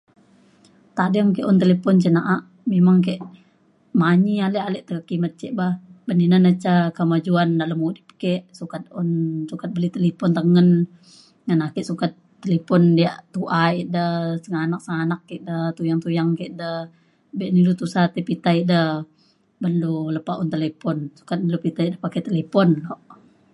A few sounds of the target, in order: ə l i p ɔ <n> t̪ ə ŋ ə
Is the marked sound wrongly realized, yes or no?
no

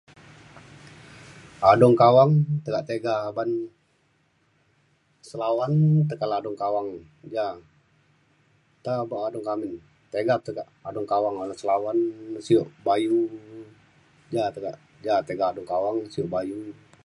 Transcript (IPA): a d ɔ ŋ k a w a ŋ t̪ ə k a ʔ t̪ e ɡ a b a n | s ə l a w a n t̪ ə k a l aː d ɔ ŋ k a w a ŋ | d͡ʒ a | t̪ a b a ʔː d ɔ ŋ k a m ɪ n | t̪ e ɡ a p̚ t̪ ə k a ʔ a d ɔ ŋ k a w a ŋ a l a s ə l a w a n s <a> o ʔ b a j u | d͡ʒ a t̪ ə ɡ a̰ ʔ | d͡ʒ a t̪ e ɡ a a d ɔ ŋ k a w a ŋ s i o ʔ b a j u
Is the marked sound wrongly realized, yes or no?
yes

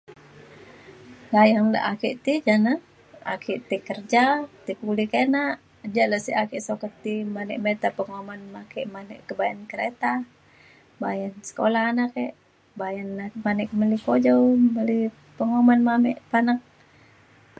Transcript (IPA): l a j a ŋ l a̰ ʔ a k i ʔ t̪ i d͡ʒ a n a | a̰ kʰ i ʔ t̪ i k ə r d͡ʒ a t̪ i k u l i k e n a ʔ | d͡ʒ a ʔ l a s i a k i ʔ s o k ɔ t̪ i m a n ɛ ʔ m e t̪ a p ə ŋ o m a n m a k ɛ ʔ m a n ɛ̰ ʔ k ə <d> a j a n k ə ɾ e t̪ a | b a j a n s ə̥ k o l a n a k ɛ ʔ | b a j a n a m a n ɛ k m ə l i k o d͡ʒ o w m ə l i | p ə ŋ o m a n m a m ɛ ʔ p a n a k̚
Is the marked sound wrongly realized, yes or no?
yes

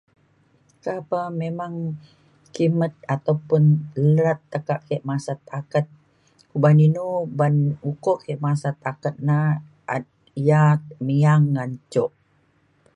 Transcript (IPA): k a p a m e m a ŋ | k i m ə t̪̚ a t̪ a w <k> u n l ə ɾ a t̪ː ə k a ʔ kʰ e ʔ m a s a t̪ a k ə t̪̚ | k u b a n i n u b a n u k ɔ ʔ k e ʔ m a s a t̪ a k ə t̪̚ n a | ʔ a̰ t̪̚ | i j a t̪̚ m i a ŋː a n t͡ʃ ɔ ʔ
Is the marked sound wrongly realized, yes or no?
yes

